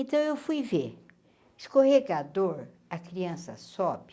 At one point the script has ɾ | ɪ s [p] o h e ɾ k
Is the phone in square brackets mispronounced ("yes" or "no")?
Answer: yes